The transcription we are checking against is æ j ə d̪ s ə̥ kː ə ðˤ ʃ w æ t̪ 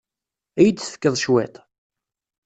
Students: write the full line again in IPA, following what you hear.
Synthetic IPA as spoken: æ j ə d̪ θ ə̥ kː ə ðˤ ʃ w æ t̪